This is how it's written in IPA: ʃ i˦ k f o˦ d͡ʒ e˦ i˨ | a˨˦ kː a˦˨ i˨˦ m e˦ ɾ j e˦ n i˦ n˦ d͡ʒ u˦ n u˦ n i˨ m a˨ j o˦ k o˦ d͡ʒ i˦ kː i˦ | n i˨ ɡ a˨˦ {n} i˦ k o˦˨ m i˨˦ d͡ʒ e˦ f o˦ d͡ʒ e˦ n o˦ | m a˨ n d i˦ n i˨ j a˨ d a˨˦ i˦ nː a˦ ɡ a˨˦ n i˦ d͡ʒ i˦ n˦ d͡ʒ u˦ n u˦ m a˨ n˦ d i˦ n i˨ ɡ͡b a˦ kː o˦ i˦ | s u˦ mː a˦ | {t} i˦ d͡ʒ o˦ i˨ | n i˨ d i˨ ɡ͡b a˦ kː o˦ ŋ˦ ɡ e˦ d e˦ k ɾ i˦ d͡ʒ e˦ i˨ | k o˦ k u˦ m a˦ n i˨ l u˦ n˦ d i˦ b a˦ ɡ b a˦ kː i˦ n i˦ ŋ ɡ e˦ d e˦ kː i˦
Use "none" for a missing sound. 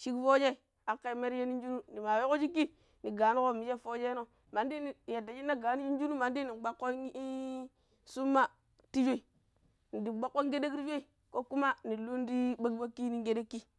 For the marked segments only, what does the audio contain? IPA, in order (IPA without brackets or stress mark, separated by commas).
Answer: n, t